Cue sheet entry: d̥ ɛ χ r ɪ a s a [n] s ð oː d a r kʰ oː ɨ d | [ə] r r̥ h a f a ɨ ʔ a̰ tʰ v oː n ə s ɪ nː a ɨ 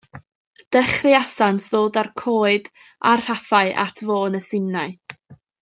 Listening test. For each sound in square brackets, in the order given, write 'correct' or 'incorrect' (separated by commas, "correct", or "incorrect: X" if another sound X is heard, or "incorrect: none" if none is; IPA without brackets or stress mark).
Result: correct, incorrect: a